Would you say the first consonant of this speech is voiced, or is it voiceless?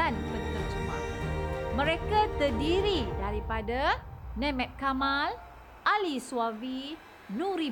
voiced